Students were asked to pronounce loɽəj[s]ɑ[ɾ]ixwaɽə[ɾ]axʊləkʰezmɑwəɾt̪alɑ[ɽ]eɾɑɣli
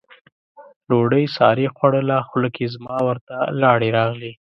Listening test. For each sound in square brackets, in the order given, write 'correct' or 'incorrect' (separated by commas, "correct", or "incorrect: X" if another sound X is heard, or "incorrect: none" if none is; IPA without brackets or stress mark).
correct, correct, incorrect: l, correct